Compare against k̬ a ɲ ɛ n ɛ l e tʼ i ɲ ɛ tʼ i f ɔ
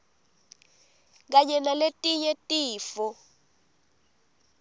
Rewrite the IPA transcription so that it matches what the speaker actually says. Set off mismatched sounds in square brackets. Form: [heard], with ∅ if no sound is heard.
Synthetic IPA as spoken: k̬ a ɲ ɛ n [a] l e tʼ i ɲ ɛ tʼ [iː] f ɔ